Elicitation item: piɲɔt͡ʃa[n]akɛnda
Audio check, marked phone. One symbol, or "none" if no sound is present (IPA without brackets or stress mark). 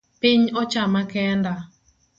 m